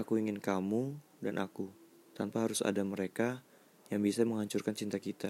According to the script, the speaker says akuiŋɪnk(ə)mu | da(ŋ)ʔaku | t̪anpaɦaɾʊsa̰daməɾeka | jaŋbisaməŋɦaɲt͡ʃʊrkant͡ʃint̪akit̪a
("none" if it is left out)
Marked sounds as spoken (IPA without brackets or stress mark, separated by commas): a, n